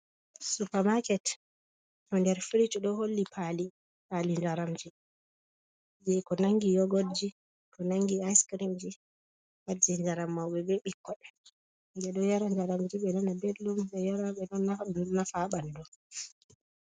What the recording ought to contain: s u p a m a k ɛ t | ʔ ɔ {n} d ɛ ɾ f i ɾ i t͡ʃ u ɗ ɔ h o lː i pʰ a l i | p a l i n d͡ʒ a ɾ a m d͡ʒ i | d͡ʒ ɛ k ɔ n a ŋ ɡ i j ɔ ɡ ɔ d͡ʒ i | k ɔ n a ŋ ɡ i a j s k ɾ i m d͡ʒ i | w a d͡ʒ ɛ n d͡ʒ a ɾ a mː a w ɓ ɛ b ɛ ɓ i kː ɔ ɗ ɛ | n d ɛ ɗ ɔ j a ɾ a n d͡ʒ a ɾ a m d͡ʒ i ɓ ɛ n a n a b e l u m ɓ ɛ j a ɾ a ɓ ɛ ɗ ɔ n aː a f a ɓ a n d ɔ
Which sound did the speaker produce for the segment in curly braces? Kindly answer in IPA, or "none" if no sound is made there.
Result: n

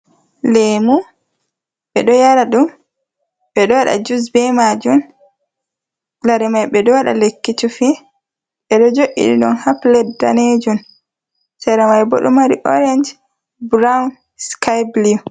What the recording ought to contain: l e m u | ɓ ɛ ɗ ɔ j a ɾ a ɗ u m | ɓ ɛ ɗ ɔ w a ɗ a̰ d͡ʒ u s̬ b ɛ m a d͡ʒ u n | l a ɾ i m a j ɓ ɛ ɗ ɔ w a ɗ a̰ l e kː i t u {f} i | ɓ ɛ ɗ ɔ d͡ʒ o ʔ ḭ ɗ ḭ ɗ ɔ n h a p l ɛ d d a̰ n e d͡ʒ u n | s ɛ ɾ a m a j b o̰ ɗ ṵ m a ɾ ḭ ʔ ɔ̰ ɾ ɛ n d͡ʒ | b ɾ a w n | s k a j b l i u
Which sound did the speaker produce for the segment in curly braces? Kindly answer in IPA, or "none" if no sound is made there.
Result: f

